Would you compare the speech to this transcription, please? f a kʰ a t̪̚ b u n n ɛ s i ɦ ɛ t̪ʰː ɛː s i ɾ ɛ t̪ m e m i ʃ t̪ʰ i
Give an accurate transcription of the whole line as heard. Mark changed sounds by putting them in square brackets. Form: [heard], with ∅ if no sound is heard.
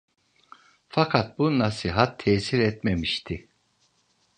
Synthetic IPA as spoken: f a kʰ a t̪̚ b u n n [a] s i ɦ [a] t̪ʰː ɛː s i ɾ ɛ t̪ m e m i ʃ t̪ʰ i